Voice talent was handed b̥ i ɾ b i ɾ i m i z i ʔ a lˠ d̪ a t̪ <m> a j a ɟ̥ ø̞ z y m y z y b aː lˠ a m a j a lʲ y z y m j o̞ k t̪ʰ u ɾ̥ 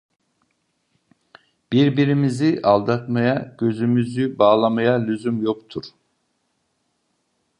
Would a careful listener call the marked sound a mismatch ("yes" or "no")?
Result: no